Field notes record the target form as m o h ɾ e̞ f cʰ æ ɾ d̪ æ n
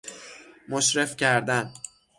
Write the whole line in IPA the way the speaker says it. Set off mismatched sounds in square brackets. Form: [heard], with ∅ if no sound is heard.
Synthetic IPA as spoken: m o [ʃ] ɾ e̞ f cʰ æ ɾ d̪ æ n